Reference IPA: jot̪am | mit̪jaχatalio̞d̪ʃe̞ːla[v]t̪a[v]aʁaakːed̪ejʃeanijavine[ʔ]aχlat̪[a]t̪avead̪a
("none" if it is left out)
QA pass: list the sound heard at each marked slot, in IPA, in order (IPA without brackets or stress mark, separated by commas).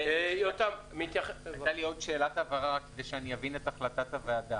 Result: none, v, t, a